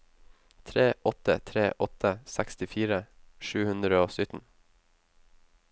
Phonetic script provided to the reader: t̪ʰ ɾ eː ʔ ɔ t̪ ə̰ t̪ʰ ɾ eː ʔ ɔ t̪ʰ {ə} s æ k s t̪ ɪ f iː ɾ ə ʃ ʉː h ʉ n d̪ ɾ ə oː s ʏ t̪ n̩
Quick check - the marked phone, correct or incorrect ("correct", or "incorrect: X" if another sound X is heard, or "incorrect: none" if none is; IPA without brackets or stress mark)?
correct